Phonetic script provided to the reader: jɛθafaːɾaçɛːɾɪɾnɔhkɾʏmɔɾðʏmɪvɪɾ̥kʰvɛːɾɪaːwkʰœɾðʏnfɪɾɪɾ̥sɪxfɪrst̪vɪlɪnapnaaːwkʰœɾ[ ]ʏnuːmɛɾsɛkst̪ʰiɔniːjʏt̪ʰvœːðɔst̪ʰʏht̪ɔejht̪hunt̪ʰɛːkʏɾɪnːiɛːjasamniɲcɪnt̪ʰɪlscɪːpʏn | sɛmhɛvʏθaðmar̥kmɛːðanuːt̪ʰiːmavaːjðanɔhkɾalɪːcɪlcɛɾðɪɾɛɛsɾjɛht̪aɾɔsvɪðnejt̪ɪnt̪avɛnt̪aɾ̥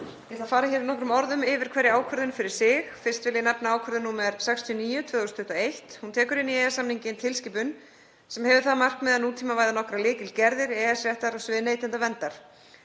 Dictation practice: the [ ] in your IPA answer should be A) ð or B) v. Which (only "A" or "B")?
A